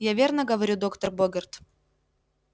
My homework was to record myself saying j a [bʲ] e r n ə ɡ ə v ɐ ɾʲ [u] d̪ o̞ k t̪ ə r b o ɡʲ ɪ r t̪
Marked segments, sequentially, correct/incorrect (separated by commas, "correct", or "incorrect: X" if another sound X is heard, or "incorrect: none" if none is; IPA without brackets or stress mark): incorrect: vʲ, correct